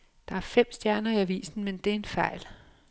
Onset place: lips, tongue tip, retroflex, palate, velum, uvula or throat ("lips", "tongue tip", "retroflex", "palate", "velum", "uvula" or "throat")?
tongue tip